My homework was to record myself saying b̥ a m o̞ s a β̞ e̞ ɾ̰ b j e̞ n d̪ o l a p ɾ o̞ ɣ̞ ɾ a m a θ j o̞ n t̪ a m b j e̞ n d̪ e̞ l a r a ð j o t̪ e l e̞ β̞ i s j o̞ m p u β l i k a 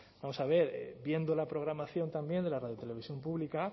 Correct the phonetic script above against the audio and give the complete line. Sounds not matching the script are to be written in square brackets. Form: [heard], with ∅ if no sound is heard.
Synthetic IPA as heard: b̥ a m o̞ s a β̞ e̞ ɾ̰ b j e̞ n d̪ o l a p ɾ o̞ ɣ̞ ɾ a m a θ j o̞ n t̪ a m b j e̞ n d̪ e̞ l a r a ð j o t̪ e l e̞ β̞ i s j o̞ m p u β l i k a